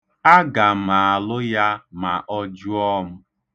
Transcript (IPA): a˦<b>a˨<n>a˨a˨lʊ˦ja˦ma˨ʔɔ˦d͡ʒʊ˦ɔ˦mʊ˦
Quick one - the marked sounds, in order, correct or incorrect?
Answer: incorrect, incorrect

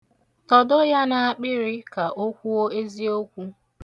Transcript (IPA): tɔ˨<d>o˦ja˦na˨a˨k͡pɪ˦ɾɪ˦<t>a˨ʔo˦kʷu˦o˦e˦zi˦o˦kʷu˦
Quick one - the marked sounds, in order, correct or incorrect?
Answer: correct, incorrect

